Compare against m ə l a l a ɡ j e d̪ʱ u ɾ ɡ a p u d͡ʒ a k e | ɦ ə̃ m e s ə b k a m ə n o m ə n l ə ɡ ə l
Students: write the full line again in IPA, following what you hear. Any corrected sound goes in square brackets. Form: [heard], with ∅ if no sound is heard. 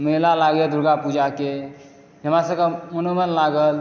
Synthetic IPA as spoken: m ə l a l a ɡ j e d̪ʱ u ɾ ɡ a p u d͡ʒ a k e | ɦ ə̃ m [a] s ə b k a m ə n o m ə n l [a] ɡ ə l